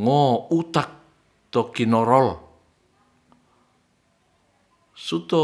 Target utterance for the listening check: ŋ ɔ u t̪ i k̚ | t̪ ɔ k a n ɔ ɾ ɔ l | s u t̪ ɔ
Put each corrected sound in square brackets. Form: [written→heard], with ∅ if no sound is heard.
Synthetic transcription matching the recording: ŋ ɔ u t̪ [i→a] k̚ | t̪ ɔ k [a→i] n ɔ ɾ ɔ l | s u t̪ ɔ